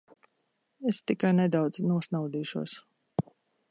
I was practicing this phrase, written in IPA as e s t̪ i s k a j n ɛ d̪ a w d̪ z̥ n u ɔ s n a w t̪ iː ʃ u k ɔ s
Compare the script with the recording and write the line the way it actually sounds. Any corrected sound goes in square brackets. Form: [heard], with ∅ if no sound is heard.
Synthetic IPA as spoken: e s t̪ i [∅] k a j n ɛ d̪ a w d̪ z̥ n u ɔ s n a w [d̪] iː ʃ u [∅] ɔ s

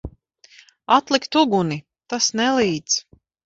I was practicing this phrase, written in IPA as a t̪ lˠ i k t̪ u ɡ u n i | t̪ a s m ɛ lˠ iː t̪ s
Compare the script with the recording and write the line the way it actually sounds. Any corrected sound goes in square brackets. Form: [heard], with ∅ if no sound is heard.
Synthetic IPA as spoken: a t̪ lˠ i k t̪ u ɡ u n i | t̪ a s [n] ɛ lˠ iː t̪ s

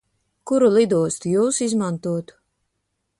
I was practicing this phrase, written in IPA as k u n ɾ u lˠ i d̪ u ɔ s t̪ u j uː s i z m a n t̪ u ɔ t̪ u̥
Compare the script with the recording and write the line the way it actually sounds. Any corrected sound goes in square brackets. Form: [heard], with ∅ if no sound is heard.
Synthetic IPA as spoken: k u [∅] ɾ u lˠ i d̪ u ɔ s t̪ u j uː s i z m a n t̪ u ɔ t̪ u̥

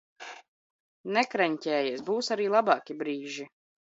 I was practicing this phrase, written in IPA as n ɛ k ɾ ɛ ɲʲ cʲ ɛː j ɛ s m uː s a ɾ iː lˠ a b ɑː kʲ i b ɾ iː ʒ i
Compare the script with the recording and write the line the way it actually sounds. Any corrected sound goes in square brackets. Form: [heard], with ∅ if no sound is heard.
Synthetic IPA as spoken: n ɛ k ɾ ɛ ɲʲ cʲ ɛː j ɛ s [b] uː s a ɾ iː lˠ a b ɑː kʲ i b ɾ iː ʒ i

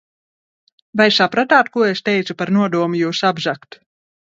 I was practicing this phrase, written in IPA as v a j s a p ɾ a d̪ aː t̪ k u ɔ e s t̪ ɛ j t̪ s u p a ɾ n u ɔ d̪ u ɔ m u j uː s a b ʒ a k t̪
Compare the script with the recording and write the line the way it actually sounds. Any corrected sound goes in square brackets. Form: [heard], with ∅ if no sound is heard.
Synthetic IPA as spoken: v a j s a p ɾ a [t̪] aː t̪ k u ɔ e s t̪ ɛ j t̪ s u p a ɾ n u ɔ d̪ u ɔ m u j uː s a b ʒ a k t̪

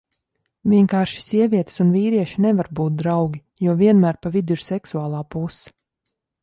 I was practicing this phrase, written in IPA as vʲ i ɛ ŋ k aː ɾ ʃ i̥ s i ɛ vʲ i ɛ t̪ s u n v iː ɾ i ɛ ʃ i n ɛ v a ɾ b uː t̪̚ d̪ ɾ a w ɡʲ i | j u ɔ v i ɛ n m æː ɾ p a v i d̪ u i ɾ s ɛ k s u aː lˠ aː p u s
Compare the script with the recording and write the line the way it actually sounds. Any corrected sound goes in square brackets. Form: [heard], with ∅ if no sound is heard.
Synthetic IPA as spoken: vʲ i ɛ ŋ k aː ɾ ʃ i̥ s i ɛ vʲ i ɛ t̪ s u n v iː ɾ i ɛ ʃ i n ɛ v a ɾ b uː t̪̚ d̪ ɾ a w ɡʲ i | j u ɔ v i ɛ n m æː ɾ p a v i d̪ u i ɾ s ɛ k s u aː lˠ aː p u s

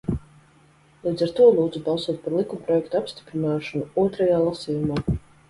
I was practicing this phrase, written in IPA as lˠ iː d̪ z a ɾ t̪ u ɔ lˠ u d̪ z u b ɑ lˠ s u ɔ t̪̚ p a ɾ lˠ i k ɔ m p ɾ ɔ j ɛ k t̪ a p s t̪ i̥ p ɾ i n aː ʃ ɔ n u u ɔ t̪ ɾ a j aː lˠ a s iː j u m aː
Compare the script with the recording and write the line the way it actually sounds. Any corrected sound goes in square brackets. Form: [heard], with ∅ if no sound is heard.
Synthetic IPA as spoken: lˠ iː d̪ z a ɾ t̪ u ɔ lˠ [uː] d̪ z u b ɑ lˠ s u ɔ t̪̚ p a ɾ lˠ i k [u] m p ɾ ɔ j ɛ k t̪ a p s t̪ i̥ p ɾ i n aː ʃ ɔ n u u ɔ t̪ ɾ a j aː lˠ a s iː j u m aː

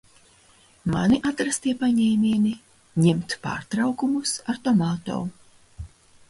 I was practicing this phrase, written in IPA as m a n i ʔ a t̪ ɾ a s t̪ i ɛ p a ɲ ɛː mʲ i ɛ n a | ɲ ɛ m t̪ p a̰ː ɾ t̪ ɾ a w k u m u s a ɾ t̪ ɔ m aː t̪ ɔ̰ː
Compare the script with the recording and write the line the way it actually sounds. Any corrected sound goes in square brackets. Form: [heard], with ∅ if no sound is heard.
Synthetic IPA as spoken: m a n i ʔ a t̪ ɾ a s t̪ i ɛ p a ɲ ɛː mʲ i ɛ n [i] | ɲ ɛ m t̪ p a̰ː ɾ t̪ ɾ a w k u m u s a ɾ t̪ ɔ m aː t̪ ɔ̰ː

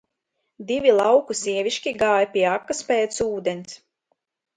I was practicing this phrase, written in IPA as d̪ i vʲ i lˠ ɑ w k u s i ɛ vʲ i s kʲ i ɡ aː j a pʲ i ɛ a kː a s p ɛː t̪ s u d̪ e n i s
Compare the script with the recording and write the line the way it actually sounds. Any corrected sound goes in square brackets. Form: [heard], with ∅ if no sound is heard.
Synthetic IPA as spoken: d̪ i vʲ i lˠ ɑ w k u s i ɛ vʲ i [ʃ] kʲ i ɡ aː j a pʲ i ɛ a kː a s p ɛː t̪ s [uː] d̪ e n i s

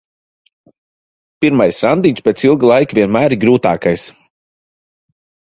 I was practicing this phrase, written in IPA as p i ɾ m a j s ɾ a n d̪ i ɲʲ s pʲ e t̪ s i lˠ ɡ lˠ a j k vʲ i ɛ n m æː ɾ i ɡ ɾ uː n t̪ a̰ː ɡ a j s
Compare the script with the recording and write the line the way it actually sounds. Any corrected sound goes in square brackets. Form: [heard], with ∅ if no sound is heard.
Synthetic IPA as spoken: p i ɾ m a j s ɾ a n d̪ i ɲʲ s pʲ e t̪ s i lˠ ɡ lˠ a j k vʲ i ɛ n m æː ɾ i ɡ ɾ uː [∅] t̪ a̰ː [k] a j s

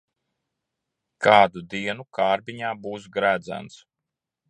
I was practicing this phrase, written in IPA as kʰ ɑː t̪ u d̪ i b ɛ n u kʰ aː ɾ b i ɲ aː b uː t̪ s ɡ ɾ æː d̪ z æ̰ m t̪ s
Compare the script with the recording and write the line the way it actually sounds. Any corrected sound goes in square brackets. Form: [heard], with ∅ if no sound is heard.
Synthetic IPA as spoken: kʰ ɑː [d̪] u d̪ i [∅] ɛ n u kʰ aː ɾ b i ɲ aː b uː [∅] s ɡ ɾ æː d̪ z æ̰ [n] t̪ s

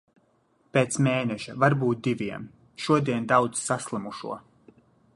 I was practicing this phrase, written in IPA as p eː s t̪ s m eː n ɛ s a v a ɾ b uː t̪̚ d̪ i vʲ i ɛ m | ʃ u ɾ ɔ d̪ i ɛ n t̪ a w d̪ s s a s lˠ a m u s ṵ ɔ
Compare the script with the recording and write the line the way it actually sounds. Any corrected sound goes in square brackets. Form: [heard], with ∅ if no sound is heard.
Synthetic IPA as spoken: p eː [∅] t̪ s m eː n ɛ [ʃ] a v a ɾ b uː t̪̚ d̪ i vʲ i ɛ m | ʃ u [∅] ɔ d̪ i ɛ n [d̪] a w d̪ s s a s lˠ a m u [ʃ] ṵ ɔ

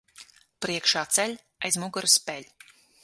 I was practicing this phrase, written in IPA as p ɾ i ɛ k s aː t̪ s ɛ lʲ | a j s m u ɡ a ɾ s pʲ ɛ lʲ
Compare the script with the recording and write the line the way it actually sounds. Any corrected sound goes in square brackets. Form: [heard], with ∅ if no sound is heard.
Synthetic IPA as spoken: p ɾ i ɛ k [ʃ] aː t̪ s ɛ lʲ | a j [z] m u ɡ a ɾ s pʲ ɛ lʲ

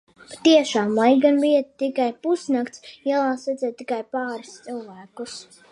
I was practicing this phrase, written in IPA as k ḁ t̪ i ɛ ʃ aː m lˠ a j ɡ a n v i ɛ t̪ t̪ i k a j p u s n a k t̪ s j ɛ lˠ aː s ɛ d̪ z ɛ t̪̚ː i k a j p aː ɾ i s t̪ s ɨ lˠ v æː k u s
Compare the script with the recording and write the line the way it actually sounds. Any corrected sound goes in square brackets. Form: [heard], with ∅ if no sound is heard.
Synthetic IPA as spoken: [p] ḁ t̪ i ɛ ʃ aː m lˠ a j ɡ a n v i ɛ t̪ t̪ i k a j p u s n a k t̪ s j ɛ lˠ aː s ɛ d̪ z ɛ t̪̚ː i k a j p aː ɾ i s t̪ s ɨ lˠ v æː k u s

